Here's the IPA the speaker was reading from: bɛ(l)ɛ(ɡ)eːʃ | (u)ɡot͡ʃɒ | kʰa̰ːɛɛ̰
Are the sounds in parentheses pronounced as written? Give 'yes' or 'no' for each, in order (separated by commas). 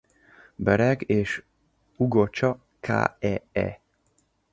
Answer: no, yes, yes